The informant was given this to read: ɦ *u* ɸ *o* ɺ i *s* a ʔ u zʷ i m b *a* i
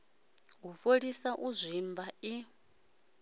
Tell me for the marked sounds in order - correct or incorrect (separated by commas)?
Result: correct, correct, correct, correct